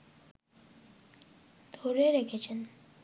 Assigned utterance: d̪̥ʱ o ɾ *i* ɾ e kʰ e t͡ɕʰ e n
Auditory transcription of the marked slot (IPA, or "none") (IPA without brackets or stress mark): e